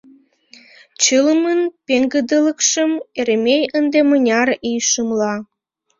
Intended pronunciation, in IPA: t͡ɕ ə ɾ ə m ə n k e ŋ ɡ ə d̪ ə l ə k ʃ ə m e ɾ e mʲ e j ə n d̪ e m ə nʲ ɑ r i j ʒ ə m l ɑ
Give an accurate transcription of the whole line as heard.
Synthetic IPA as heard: t͡ɕ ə l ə m ə n p e ŋ ɡ ə d̪ ə l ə k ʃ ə m e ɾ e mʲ e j ə n d̪ e m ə nʲ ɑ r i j ʃ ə m l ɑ